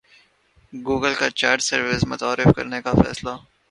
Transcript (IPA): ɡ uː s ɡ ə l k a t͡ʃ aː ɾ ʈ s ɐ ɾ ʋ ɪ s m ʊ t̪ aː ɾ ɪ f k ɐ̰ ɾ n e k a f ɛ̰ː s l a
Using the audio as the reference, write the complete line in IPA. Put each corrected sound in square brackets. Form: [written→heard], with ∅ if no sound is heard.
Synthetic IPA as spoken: ɡ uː [s→∅] ɡ ə l k a t͡ʃ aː ɾ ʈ s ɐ ɾ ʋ ɪ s m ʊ t̪ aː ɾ ɪ f k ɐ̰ ɾ n e k a f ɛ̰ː s l a